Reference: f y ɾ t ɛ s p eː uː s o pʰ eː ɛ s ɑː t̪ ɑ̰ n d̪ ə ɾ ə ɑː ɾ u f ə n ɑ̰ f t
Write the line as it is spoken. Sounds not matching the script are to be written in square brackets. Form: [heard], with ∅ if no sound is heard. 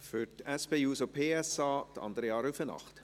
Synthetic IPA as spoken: f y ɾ t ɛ s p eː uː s o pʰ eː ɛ s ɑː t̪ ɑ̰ n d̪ ə ɾ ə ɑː ɾ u f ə n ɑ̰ [χ] t